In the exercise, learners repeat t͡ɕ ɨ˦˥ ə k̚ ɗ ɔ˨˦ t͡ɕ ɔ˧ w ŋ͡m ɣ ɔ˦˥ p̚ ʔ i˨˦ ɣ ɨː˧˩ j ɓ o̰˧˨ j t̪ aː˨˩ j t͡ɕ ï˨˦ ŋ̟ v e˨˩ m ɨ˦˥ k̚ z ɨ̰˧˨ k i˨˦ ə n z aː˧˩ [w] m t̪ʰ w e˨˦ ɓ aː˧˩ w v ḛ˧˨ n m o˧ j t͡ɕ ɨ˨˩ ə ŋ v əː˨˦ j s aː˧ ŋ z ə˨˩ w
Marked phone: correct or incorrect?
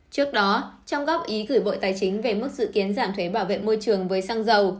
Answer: incorrect